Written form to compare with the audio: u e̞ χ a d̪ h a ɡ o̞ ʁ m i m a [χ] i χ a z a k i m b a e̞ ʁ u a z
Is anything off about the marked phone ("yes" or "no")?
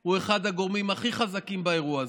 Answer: no